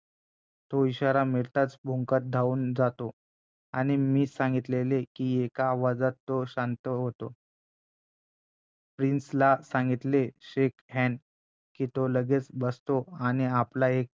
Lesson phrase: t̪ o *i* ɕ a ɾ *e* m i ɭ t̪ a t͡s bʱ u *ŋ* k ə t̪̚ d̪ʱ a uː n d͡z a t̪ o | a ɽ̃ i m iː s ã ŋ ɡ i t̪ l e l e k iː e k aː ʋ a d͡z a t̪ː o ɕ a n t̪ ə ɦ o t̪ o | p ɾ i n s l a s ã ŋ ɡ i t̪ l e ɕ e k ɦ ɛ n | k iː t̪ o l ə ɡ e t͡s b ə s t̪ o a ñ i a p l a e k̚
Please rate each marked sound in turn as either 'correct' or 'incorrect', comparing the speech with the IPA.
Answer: correct, incorrect, correct

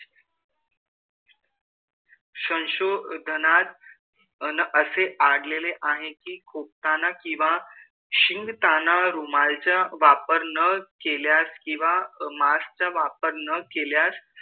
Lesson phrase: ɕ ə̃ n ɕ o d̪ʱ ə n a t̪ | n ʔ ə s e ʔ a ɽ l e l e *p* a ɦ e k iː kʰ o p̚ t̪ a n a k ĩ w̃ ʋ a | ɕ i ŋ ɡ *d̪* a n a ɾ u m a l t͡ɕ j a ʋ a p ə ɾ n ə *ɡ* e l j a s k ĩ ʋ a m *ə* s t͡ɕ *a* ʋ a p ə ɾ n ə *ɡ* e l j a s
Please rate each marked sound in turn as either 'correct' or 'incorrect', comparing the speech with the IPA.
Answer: incorrect, incorrect, incorrect, incorrect, correct, incorrect

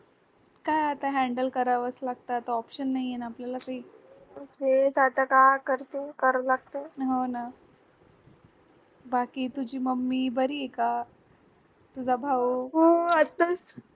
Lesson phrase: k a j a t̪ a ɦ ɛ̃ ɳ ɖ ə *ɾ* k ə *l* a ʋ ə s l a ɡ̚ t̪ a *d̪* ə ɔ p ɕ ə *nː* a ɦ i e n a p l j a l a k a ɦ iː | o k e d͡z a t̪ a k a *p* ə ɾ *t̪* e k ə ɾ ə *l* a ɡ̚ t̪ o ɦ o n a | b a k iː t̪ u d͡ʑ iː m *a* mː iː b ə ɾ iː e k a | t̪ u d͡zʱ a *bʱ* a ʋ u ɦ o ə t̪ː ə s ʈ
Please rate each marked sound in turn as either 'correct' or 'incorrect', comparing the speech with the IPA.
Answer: incorrect, incorrect, incorrect, correct, incorrect, correct, correct, incorrect, correct

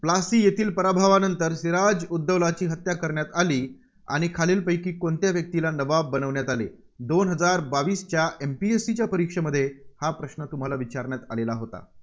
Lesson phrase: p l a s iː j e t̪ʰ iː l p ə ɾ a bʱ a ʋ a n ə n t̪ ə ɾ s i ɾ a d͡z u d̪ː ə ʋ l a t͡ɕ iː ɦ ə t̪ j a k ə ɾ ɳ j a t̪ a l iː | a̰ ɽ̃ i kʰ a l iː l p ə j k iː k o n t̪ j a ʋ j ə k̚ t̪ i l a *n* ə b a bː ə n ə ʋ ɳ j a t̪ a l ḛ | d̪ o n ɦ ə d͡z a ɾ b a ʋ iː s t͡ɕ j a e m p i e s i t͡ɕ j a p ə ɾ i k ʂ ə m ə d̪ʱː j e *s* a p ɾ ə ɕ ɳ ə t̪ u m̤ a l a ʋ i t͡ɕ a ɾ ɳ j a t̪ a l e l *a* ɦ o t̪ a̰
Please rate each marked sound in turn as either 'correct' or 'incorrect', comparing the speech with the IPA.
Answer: correct, incorrect, correct

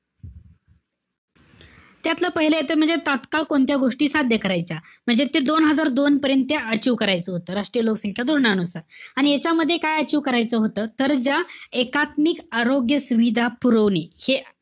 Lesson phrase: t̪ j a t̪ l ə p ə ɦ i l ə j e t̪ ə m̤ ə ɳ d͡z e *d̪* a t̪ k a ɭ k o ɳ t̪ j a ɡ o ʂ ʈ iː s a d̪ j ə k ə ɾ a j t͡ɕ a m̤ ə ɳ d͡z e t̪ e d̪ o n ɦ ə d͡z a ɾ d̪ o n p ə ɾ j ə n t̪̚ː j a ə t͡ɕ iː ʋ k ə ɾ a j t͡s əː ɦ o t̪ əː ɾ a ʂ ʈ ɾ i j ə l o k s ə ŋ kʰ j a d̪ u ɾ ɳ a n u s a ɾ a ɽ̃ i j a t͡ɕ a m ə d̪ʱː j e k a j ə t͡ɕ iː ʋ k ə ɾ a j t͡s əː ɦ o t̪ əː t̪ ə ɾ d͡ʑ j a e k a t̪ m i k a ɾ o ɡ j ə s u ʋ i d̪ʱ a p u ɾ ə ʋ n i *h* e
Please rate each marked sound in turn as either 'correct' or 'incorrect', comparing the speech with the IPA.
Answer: incorrect, correct

